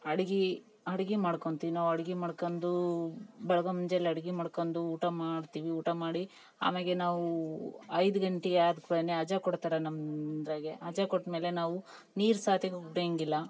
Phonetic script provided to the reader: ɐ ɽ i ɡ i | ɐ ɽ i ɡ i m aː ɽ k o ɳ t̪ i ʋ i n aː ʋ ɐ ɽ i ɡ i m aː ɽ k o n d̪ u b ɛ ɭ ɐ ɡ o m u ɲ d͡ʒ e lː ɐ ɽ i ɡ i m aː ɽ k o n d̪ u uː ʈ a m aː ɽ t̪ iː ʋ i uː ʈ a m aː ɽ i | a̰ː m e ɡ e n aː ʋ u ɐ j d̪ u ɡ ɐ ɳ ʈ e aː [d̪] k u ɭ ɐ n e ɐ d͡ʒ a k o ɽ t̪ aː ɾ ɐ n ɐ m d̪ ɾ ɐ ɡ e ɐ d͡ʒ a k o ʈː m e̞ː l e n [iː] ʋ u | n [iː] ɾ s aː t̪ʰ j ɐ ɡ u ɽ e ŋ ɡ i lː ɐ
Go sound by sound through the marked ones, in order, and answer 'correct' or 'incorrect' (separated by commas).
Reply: correct, incorrect, correct